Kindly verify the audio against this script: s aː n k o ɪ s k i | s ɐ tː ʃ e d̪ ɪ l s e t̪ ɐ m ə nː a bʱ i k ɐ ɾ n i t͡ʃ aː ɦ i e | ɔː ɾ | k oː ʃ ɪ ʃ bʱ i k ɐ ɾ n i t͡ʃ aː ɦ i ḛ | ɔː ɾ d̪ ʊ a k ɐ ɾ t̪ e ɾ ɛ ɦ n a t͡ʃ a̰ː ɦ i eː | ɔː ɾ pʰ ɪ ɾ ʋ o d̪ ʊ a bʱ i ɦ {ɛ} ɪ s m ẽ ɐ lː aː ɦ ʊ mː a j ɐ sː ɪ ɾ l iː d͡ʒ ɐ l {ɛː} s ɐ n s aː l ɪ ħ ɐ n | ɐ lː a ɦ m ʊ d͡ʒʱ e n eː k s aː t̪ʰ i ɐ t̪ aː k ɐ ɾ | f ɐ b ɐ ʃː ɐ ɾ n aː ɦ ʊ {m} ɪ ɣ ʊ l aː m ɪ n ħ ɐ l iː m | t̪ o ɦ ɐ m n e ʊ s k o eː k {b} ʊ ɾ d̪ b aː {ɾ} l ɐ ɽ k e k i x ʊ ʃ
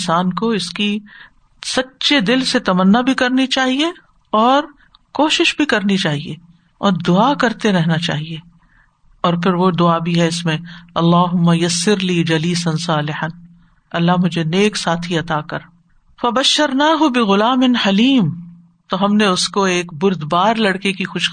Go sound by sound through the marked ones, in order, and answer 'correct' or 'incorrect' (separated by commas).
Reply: correct, incorrect, incorrect, correct, correct